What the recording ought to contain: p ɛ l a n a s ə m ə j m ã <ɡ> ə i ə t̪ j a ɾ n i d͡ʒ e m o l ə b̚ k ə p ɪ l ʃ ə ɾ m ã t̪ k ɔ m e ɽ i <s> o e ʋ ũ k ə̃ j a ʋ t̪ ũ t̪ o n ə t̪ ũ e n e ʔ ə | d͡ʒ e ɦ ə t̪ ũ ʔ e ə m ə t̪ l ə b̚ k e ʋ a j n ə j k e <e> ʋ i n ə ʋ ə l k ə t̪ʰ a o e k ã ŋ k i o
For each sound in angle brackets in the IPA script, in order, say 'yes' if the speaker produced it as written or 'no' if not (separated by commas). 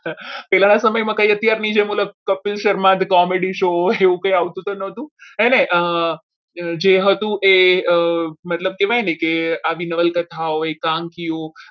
no, no, no